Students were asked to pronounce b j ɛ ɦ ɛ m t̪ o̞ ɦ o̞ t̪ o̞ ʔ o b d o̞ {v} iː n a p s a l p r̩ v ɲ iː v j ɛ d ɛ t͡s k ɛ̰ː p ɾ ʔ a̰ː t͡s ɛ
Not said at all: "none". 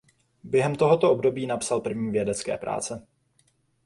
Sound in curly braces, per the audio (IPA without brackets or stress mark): b